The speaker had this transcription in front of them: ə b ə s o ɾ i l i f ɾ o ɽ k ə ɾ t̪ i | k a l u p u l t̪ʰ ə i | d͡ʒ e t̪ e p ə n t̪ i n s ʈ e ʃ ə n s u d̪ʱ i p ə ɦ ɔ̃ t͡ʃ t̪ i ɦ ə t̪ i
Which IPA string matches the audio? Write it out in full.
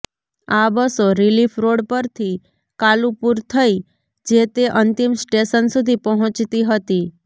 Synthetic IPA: a b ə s o ɾ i l i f ɾ o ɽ p ə ɾ t̪ʰ i | k a l u p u ɾ t̪ʰ ə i | d͡ʒ e t̪ e ʔ ə n t̪ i m s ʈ e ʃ ə n s u d̪ʱ i p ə ɦ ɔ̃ t͡ʃ t̪ i ɦ ə t̪ i